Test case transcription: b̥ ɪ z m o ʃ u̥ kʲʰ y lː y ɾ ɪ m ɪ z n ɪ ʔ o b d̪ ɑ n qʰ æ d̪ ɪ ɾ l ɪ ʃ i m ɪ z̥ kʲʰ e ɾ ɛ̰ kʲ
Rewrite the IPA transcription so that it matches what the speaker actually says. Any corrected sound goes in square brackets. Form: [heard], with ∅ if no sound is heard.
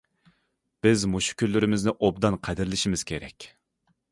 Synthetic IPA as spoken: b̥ ɪ z m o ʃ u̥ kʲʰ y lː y ɾ ɪ m ɪ z n ɪ ʔ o b d̪ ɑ n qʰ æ d̪ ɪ ɾ l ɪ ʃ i m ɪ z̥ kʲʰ e ɾ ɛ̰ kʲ